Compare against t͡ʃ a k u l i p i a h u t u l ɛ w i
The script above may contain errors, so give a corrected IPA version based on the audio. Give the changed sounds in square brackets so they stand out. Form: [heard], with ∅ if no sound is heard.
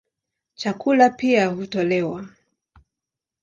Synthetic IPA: t͡ʃ a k u l [a] p i a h u t [ɔ] l ɛ w [a]